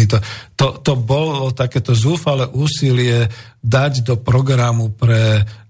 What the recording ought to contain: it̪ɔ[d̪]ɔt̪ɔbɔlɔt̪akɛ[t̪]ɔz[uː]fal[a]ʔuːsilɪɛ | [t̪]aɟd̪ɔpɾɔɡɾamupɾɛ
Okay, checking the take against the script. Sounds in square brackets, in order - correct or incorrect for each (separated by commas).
incorrect, correct, correct, incorrect, incorrect